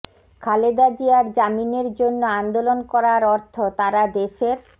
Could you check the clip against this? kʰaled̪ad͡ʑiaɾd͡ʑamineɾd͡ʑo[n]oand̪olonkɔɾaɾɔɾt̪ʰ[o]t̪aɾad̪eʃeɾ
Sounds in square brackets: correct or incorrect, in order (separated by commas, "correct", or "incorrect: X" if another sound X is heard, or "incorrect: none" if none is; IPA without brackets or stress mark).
incorrect: nː, correct